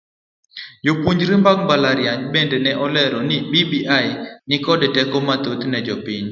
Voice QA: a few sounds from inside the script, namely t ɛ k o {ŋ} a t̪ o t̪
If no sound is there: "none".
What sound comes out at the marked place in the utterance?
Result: m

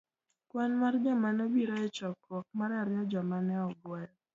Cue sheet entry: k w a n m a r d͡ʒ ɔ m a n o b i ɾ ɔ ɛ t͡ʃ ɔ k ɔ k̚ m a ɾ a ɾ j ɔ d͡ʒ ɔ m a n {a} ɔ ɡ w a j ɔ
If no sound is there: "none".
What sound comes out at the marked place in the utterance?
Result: ɛ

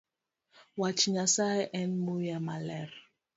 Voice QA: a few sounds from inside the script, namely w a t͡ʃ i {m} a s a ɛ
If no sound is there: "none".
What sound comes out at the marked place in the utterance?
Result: ɲ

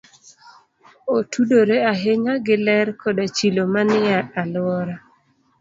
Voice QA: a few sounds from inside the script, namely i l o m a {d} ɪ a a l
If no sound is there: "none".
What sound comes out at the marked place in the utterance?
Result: n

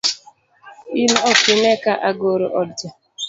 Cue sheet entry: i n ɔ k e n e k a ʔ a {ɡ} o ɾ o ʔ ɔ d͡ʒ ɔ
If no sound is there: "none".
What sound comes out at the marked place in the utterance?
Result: ɡ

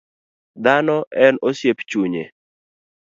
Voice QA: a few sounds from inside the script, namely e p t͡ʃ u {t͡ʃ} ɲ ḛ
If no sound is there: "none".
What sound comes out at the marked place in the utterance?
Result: none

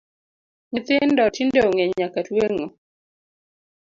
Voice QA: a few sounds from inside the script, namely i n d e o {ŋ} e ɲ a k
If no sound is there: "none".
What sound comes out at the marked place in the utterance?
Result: ŋ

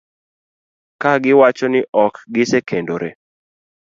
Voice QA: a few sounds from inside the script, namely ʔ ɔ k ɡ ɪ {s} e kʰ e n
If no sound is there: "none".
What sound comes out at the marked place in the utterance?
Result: s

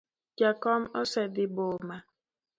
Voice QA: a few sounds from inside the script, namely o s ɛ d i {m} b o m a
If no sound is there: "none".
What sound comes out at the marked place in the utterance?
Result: none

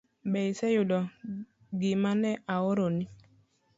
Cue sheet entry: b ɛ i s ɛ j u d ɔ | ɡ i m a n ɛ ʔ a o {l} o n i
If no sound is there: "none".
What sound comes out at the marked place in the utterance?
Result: ɾ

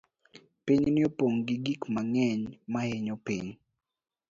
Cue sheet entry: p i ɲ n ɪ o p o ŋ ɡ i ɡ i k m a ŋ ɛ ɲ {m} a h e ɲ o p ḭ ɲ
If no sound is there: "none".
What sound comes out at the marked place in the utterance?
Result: m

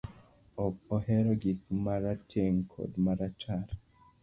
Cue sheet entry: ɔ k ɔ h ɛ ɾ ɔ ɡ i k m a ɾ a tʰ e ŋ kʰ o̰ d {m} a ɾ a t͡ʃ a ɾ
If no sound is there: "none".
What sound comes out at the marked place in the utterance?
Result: m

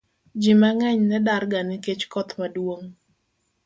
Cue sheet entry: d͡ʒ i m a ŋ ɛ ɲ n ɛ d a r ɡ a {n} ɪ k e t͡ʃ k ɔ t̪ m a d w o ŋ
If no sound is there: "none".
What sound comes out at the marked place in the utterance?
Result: n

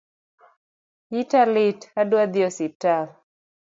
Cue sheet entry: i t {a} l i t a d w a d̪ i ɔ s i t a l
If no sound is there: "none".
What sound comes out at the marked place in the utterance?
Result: a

